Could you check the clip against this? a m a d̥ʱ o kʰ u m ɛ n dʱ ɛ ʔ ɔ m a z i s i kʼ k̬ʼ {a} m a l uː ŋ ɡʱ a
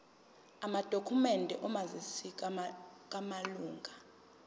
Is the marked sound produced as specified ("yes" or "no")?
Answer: yes